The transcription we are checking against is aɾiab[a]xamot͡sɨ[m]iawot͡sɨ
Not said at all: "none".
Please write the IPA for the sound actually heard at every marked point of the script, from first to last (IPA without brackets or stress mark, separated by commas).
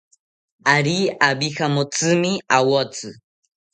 i, m